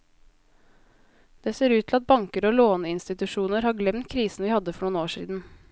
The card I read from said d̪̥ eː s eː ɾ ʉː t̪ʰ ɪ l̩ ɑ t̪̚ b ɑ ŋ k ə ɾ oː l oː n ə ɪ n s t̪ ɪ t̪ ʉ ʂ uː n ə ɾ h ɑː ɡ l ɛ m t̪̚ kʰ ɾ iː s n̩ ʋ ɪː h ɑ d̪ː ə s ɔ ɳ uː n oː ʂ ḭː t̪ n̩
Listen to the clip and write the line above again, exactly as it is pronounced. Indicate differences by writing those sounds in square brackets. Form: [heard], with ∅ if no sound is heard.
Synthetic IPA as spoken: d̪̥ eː s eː ɾ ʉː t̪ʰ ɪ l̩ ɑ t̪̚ b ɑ ŋ k ə ɾ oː l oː n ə ɪ n s t̪ ɪ t̪ ʉ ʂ uː n ə ɾ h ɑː ɡ l ɛ m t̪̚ kʰ ɾ iː s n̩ ʋ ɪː h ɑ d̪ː ə [f] ɔ ɳ uː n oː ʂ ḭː [d̪] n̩